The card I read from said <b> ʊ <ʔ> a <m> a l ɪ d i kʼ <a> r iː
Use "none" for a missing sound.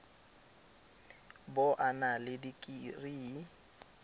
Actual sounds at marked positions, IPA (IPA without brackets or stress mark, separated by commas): b, ʔ, n, i